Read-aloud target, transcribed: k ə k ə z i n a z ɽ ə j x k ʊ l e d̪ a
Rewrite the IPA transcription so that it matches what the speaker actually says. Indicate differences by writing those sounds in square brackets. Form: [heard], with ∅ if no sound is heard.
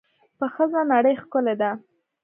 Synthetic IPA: [p] ə [x] ə z [a] n a [∅] ɽ ə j x k ʊ l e d̪ a